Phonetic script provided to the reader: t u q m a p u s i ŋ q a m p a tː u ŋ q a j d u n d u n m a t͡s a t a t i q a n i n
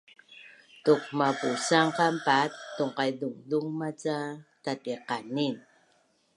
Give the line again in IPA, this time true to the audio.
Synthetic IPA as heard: t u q m a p u s a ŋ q a m p a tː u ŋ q a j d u ŋ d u ŋ m a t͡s a t a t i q a n i n